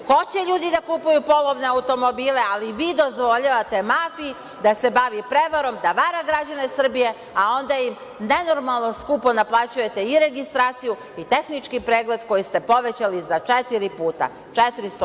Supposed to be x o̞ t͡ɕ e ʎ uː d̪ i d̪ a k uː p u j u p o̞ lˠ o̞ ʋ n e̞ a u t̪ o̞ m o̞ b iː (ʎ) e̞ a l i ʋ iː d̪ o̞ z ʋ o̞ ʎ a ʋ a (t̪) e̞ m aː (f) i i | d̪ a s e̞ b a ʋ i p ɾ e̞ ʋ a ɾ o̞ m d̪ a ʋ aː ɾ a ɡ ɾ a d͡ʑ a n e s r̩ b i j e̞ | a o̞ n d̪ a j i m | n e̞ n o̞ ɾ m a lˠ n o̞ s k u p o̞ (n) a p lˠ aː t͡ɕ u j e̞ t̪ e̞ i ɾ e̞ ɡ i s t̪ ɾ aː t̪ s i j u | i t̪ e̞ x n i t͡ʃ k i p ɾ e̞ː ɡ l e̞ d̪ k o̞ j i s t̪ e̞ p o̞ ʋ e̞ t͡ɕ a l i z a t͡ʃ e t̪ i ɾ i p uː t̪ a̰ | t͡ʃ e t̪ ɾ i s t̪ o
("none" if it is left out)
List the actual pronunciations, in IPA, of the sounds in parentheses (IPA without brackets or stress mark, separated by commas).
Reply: l, t̪, f, n